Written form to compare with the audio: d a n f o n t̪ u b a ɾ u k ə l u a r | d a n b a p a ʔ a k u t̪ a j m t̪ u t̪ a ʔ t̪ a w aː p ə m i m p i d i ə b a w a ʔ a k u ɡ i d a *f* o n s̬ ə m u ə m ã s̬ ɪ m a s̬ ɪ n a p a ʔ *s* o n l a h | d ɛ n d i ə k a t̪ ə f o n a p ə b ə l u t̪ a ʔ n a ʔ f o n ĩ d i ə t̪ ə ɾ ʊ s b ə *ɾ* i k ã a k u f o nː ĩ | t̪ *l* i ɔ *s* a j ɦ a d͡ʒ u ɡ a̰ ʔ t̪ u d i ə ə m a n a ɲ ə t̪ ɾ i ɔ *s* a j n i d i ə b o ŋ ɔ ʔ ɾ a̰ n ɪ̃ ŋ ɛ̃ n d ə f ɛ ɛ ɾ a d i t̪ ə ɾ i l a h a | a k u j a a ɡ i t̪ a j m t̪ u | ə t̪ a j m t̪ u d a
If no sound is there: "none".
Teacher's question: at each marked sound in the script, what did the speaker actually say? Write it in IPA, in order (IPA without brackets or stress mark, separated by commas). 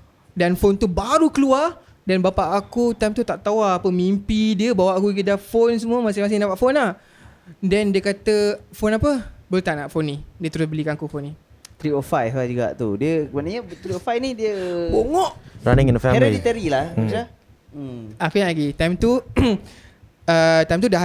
f, f, l, ɾ, f, f